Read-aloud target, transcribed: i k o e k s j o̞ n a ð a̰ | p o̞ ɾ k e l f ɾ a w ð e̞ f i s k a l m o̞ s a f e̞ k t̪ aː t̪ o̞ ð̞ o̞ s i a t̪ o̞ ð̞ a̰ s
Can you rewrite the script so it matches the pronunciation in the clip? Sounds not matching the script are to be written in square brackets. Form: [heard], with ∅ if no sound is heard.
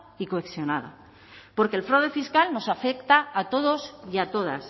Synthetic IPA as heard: i k o e k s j o̞ n a ð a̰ | p o̞ ɾ k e l f ɾ a w ð e̞ f i s k a l [n] o̞ s a f e̞ k t̪ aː t̪ o̞ ð̞ o̞ s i a t̪ o̞ ð̞ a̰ s